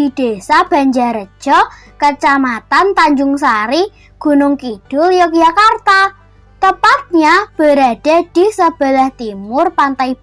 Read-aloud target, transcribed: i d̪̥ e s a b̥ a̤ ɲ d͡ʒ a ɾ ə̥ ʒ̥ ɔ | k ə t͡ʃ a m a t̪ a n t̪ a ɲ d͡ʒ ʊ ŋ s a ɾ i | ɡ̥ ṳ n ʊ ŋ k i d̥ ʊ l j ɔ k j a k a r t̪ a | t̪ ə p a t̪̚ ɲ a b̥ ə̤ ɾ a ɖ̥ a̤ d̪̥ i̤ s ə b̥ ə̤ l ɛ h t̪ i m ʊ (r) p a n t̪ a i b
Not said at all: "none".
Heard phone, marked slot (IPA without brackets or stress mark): r